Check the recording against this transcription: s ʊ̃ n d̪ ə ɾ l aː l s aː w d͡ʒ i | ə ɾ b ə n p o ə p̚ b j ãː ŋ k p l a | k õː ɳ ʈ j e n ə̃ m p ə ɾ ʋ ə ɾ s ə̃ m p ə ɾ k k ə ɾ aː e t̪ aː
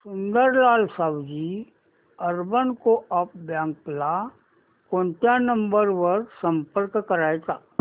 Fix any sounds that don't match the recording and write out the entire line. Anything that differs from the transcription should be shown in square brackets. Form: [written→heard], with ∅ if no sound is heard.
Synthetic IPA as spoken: s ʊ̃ n d̪ ə ɾ l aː l s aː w d͡ʒ i | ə ɾ b ə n [p→k] o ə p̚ b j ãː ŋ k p l a | k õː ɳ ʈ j [e→a] n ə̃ m [p→b] ə ɾ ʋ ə ɾ s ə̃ m p ə ɾ k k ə ɾ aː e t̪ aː